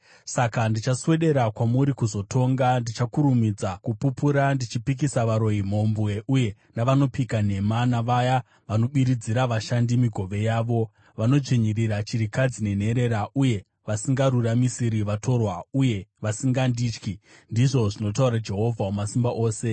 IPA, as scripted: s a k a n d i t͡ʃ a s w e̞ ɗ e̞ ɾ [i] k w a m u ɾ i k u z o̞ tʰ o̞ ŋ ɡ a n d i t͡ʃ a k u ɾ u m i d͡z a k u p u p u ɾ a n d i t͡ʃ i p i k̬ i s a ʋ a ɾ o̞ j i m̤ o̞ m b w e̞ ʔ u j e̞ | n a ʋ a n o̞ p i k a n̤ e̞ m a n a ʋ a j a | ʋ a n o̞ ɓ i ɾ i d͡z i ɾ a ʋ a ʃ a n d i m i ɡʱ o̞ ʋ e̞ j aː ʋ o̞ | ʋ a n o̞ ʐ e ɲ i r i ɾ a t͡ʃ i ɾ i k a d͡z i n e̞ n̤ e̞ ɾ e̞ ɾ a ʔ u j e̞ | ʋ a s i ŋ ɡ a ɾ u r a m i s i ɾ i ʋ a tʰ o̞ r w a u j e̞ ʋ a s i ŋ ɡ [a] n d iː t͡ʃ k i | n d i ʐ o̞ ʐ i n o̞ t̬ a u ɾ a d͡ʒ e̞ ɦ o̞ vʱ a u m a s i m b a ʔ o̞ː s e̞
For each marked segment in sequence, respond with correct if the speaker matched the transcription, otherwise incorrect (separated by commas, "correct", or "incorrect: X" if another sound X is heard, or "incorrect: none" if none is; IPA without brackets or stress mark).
incorrect: a, correct